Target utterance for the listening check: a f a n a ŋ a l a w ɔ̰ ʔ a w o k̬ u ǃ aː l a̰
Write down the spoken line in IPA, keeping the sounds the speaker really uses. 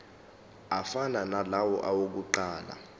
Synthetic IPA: a f a n a n a l a w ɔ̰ ʔ a w o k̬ u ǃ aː l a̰